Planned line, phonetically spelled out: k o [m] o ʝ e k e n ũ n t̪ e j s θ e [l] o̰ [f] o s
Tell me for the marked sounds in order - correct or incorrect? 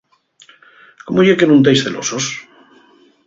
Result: correct, correct, incorrect

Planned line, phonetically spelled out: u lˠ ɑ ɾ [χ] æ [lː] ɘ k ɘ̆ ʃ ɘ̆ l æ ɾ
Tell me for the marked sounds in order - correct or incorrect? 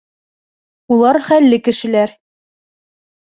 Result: correct, correct

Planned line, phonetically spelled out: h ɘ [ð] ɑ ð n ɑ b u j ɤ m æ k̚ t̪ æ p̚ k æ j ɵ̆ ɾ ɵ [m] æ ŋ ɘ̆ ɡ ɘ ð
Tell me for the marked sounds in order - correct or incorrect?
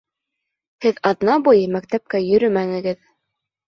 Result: correct, correct

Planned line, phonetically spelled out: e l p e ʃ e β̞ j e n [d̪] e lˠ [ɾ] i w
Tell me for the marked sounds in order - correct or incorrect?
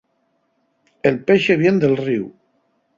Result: correct, incorrect

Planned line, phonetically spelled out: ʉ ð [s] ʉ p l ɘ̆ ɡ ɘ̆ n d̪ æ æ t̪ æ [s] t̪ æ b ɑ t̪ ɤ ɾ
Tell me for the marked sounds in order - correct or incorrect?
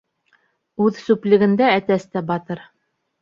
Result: correct, correct

